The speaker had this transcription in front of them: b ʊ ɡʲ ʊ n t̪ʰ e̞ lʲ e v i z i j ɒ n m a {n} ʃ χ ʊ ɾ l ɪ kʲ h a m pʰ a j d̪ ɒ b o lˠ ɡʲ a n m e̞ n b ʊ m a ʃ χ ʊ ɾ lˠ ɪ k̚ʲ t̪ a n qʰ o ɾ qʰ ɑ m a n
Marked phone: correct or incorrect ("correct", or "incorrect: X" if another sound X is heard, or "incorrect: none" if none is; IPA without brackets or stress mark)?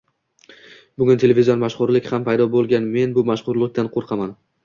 incorrect: none